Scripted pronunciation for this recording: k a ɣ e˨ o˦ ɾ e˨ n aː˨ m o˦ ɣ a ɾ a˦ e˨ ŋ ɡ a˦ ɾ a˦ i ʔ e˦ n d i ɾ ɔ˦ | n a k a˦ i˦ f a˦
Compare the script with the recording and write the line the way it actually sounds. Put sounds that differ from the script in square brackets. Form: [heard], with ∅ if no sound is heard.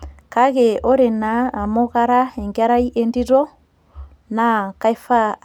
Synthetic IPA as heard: k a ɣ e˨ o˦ ɾ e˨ n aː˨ m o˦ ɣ a ɾ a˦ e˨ ŋ ɡ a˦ ɾ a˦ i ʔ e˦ n d i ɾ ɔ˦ | n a k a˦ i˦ f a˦